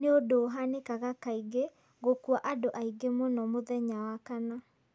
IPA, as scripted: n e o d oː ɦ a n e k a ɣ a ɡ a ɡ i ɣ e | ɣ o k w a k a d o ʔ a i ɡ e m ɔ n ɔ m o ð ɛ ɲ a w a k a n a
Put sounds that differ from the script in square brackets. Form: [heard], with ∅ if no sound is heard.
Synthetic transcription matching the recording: n e o d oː ɦ a n e k a ɣ a [k] a [∅] i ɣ e | ɣ o k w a [ʔ] a d o ʔ a i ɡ e m [o] n ɔ m o ð ɛ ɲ a w a k a n a